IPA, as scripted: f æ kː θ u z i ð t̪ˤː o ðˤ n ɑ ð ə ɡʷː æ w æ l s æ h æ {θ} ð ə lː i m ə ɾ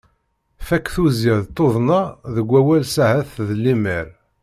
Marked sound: correct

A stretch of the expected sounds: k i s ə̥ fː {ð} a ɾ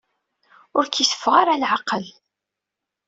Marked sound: incorrect: ʁ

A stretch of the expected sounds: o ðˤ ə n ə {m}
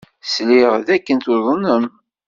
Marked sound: correct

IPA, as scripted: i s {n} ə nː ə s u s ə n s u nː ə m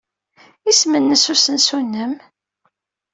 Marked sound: incorrect: m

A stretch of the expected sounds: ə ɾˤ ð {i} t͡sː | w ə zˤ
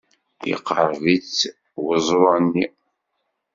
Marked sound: correct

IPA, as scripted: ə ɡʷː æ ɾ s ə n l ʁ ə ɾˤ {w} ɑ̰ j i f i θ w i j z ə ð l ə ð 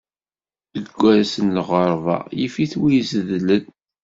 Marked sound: incorrect: v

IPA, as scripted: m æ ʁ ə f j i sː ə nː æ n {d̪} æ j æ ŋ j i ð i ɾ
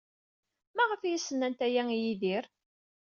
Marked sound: incorrect: t̪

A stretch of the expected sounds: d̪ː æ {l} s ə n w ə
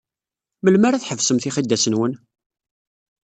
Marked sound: incorrect: none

